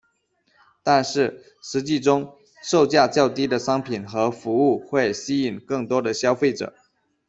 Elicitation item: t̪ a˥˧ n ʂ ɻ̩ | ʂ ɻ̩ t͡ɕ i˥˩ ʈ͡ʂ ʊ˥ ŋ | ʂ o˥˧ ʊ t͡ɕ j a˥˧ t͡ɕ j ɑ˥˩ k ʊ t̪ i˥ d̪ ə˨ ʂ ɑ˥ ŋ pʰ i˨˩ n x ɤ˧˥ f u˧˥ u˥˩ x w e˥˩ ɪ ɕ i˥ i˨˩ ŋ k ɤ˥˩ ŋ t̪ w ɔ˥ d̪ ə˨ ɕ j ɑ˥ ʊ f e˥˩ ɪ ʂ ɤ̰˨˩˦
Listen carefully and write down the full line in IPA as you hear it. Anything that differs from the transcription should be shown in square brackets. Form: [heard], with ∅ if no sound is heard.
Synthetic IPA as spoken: t̪ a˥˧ n ʂ ɻ̩ | ʂ ɻ̩ t͡ɕ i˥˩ ʈ͡ʂ ʊ˥ ŋ | ʂ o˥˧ ʊ t͡ɕ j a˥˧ t͡ɕ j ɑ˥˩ [∅] ʊ t̪ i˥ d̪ ə˨ ʂ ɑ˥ ŋ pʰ i˨˩ n x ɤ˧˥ f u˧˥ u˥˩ x w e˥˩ ɪ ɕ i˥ i˨˩ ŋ k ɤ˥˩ ŋ t̪ w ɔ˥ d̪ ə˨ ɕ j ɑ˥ ʊ f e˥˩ ɪ [ʈ͡ʂ] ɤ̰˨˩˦